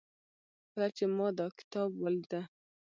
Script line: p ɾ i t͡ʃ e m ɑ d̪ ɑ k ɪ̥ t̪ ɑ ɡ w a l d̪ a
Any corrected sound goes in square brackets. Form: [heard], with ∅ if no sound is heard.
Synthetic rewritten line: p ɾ [a] t͡ʃ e m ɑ d̪ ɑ k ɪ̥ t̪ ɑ [b] w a l d̪ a

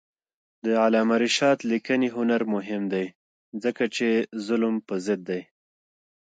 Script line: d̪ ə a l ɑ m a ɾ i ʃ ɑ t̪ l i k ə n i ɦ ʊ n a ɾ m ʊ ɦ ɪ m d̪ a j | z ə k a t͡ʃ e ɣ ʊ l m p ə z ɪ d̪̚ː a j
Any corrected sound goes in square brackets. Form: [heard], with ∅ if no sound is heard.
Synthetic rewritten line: d̪ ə a l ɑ m a ɾ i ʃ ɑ t̪ l i k ə n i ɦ ʊ n a ɾ m ʊ ɦ ɪ m d̪ a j | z ə k a t͡ʃ e [z] ʊ l m p ə z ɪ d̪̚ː a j

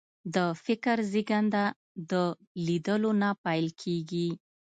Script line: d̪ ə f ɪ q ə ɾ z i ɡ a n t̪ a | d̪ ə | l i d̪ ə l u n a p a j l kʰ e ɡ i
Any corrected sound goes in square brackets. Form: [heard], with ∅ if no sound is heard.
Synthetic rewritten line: d̪ ə f ɪ [k] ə ɾ z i ɡ a n [d̪] a | d̪ ə | l i d̪ ə l [o] n a p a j l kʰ e ɡ i

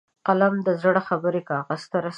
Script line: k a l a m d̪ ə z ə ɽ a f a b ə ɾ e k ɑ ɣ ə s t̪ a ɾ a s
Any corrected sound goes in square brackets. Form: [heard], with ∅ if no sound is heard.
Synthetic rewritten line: [q] a l a m d̪ ə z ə ɽ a [x] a b ə ɾ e k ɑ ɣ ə s t̪ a ɾ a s

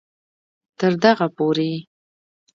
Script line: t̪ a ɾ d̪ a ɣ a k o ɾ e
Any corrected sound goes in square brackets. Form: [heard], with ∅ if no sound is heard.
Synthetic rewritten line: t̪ [ə] ɾ d̪ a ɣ a [p] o ɾ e

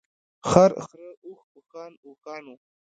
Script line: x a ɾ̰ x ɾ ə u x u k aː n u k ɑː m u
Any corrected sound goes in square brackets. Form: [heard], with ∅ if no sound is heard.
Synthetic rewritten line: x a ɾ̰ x ɾ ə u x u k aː n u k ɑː [n] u

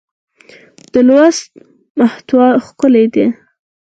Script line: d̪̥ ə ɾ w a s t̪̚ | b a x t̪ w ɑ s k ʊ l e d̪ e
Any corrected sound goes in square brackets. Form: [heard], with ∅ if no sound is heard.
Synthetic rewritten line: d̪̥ ə [l] w a s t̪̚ | [m] a [h] t̪ w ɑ [x] k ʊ l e d̪ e

